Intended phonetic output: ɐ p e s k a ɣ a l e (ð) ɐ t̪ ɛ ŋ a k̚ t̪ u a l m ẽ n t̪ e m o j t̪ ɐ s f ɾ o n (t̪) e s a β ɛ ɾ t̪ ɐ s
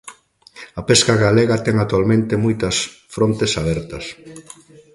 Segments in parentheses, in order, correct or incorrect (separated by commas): incorrect, correct